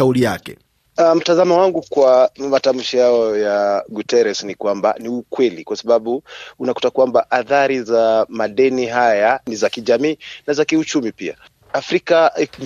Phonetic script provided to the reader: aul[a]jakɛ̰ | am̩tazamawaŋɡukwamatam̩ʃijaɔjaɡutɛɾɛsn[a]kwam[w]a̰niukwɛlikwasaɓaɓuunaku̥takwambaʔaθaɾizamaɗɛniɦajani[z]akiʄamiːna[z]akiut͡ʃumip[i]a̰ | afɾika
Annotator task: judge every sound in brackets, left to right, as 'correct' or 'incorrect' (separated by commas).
incorrect, incorrect, incorrect, correct, correct, correct